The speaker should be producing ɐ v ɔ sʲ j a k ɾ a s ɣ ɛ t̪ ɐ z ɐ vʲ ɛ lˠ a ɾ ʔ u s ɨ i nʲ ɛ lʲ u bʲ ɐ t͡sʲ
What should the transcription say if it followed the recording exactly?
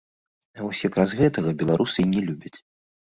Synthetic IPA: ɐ v ɔ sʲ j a k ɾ a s ɣ ɛ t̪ ɐ ɣ ɐ bʲ ɛ lˠ a ɾ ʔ u s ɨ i nʲ ɛ lʲ u bʲ ɐ t͡sʲ